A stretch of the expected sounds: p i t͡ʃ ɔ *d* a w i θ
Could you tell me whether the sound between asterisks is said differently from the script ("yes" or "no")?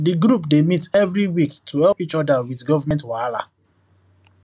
no